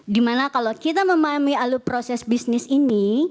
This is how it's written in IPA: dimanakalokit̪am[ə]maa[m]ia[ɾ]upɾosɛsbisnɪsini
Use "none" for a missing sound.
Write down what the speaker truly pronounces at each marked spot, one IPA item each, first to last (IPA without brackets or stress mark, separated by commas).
ə, m, l